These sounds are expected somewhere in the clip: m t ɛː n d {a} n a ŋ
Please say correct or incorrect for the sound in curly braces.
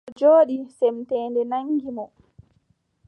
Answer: incorrect: ɛ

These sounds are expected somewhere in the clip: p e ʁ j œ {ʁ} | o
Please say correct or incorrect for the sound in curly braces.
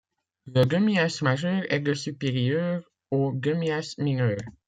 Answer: correct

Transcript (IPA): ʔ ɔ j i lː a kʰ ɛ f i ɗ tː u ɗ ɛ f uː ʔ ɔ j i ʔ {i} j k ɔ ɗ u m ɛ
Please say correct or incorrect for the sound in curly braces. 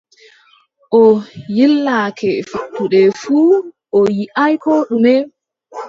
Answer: incorrect: a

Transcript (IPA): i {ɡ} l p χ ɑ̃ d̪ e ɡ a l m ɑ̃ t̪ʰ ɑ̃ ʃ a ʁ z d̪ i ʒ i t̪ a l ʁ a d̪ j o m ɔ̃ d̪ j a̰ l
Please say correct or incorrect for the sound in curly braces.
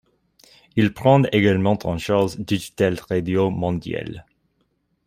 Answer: incorrect: none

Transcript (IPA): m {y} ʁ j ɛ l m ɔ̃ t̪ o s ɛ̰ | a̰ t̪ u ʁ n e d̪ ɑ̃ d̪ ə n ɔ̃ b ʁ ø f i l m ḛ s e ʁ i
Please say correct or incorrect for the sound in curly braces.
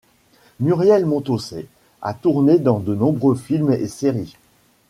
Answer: correct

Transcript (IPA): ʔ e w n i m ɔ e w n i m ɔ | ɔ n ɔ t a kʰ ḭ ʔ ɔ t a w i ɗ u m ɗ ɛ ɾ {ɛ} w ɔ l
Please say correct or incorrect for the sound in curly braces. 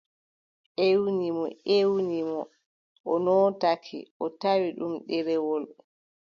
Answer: correct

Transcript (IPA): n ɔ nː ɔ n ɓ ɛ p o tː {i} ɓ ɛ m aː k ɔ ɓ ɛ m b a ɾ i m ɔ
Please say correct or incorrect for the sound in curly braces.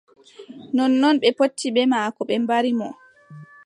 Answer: correct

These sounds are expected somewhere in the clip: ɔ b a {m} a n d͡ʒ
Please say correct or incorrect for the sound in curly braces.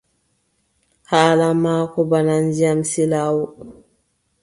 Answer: incorrect: n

